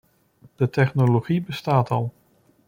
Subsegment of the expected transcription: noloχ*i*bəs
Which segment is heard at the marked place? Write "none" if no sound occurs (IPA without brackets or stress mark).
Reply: i